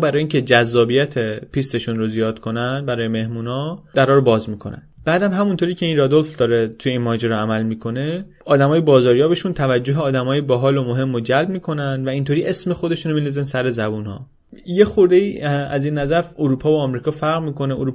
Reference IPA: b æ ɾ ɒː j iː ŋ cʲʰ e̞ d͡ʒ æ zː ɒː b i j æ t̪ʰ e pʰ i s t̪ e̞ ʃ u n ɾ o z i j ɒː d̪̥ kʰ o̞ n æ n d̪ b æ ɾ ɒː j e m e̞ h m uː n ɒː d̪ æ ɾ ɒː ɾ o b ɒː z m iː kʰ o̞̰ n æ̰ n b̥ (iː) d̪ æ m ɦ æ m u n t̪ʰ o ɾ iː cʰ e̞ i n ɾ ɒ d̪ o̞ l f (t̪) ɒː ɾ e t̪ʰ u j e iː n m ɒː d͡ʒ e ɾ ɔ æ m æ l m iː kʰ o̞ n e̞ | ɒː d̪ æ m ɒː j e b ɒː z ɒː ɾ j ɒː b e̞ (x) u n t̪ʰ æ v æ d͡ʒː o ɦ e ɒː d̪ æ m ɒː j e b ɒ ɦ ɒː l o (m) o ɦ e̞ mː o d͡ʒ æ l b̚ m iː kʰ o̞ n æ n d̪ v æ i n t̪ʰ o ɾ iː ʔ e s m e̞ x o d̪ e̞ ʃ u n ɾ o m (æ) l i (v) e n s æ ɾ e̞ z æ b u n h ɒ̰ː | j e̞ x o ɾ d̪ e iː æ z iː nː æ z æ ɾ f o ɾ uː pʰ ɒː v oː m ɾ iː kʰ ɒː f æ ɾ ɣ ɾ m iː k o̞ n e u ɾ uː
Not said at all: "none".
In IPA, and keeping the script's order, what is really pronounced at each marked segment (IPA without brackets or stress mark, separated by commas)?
æː, d̪, ʃ, m, i, z